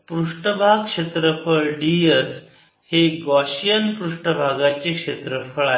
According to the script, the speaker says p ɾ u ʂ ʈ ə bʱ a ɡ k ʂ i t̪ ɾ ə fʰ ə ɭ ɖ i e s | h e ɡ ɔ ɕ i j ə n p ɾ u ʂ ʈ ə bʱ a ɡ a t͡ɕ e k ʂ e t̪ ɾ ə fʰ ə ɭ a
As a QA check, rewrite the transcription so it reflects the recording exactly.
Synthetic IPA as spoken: p ɾ u ʂ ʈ ə bʱ a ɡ k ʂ e t̪ ɾ ə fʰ ə ɭ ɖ i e s | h e ɡ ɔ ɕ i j ə n p ɾ u ʂ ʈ ə bʱ a ɡ a t͡ɕ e k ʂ e t̪ ɾ ə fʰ ə ɭ a